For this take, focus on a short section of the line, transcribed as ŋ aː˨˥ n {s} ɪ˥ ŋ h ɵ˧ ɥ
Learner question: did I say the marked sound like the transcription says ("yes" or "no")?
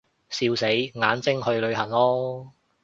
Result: no